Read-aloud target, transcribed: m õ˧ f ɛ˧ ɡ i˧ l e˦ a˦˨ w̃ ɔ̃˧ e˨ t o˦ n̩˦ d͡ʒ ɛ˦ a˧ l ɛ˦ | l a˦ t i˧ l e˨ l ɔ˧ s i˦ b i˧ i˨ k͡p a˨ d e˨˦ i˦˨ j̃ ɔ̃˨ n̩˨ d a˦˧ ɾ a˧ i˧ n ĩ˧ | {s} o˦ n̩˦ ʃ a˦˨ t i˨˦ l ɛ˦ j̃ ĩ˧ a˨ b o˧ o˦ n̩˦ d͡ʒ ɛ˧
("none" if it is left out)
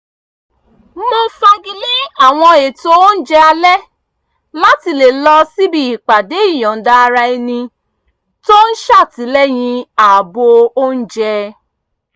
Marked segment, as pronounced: t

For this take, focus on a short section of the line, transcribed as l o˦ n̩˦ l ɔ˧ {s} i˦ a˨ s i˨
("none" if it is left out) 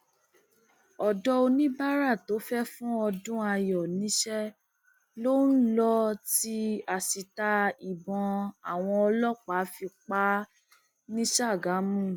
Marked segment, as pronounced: t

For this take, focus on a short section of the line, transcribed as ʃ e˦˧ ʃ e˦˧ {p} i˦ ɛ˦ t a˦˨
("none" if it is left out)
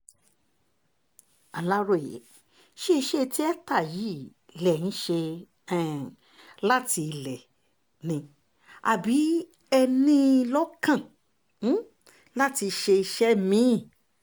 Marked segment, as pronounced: t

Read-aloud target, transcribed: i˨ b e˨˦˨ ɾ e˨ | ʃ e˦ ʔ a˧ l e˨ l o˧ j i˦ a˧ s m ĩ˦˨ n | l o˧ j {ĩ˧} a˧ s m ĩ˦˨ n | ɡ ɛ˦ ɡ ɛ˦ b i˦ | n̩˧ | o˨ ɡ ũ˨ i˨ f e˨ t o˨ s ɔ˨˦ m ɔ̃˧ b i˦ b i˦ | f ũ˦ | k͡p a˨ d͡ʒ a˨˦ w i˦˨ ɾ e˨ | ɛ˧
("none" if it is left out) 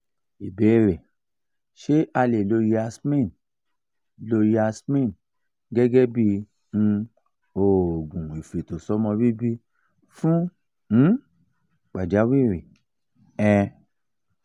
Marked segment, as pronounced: i˧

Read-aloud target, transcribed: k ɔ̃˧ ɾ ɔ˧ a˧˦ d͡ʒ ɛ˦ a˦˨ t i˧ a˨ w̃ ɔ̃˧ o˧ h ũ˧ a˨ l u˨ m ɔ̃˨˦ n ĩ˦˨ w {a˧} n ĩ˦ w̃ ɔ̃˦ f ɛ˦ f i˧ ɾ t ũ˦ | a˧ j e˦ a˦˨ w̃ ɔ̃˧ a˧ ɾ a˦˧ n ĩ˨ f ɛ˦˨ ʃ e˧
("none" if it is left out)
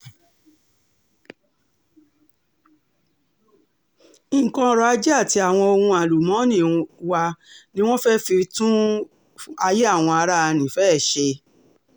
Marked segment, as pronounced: a˧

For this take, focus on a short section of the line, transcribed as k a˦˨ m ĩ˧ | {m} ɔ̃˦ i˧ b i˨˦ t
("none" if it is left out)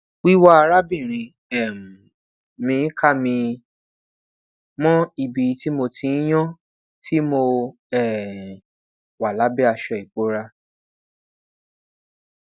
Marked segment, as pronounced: m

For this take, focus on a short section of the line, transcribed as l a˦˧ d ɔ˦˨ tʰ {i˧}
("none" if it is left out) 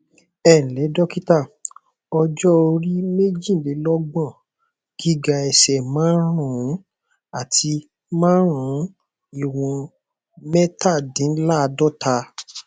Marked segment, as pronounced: a˧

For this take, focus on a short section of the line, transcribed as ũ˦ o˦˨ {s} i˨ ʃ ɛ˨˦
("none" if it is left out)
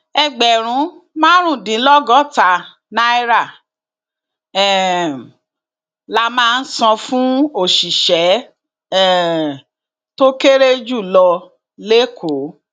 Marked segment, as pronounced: ʃ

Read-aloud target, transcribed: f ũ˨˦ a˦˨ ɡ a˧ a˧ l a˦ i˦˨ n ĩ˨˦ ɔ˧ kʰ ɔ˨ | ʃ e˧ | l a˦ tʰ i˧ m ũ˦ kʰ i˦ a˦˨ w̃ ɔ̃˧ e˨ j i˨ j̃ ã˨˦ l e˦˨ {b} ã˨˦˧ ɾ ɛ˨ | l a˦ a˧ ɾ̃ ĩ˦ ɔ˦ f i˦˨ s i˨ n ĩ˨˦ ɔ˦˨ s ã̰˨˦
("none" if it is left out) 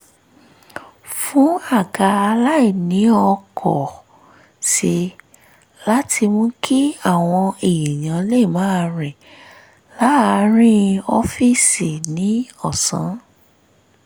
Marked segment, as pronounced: m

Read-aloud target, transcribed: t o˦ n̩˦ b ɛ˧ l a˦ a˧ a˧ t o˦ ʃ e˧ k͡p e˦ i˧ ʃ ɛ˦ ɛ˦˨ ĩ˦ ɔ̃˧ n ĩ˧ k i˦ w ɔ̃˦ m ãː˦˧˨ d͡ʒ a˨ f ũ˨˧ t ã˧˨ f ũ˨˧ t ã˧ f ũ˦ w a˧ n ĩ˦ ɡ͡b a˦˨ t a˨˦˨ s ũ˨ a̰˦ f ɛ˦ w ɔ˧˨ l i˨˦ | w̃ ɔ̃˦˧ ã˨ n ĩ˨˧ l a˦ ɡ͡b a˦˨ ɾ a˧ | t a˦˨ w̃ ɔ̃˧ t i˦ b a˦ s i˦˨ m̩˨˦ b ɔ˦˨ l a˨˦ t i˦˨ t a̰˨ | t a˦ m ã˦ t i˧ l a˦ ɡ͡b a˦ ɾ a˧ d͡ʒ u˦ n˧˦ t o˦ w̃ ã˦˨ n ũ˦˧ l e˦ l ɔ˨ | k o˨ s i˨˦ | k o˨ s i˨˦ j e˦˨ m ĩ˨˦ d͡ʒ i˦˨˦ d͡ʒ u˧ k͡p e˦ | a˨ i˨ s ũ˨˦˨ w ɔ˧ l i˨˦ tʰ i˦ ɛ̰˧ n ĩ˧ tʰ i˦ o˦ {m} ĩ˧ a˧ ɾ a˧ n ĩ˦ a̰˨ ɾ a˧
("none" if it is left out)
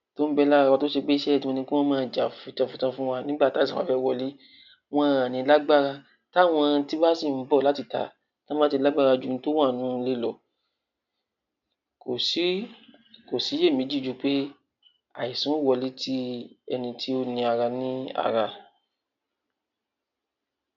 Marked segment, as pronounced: n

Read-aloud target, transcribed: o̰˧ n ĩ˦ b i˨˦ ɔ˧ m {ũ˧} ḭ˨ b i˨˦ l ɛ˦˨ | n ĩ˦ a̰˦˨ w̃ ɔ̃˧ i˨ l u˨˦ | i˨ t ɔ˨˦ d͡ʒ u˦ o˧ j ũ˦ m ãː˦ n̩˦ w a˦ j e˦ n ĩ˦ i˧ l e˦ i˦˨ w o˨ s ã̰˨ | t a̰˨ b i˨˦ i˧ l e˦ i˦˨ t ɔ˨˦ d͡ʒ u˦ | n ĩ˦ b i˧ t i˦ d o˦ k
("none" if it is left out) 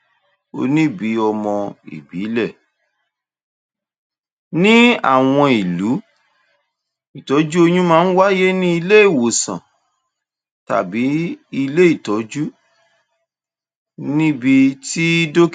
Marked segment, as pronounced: ɔ̃˧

